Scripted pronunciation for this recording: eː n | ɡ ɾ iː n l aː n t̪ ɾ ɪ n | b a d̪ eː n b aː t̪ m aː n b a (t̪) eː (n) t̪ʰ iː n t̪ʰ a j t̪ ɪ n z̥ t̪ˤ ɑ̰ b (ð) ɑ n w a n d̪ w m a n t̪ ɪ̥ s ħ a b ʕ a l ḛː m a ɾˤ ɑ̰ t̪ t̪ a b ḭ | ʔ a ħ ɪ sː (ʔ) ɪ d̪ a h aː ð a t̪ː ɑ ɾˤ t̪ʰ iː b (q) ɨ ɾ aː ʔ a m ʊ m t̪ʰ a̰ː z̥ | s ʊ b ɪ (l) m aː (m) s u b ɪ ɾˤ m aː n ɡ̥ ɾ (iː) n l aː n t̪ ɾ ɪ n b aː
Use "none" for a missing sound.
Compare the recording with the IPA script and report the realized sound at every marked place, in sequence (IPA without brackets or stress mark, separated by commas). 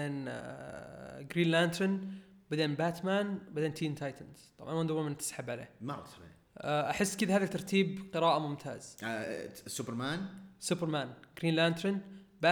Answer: d̪, n, ʕ, k, q, ɾ, n, iː